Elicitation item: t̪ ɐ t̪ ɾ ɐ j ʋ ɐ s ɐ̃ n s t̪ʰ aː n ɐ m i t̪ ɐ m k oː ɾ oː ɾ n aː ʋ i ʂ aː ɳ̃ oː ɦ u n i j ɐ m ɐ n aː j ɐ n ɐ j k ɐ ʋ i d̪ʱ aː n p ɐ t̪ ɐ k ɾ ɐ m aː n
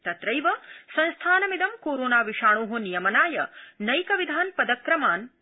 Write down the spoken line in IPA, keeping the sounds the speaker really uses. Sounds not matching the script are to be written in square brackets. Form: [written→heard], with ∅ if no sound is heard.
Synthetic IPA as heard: t̪ ɐ t̪ ɾ ɐ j ʋ ɐ s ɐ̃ n s t̪ʰ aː n ɐ m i [t̪→d̪] ɐ m k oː ɾ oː [ɾ→∅] n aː ʋ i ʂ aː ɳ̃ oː ɦ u n i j ɐ m ɐ n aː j ɐ n ɐ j k ɐ ʋ i d̪ʱ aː n p ɐ [t̪→d̪] ɐ k ɾ ɐ m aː n